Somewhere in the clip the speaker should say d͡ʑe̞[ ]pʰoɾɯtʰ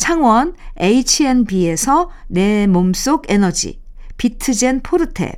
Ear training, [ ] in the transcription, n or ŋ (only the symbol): n